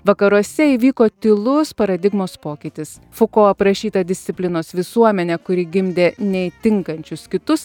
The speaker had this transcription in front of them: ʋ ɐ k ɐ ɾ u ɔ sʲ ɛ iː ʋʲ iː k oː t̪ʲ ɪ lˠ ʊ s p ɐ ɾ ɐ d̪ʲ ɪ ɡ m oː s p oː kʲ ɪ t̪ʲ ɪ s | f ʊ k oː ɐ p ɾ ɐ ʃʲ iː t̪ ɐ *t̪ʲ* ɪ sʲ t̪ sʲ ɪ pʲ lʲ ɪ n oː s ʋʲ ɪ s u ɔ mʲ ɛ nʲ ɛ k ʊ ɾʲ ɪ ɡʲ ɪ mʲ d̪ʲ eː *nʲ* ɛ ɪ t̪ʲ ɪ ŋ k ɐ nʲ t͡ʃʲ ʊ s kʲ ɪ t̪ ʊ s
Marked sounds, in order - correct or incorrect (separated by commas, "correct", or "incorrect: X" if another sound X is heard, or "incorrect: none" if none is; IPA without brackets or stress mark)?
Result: incorrect: d̪ʲ, correct